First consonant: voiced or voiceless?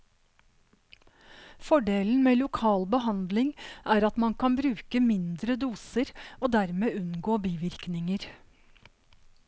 voiceless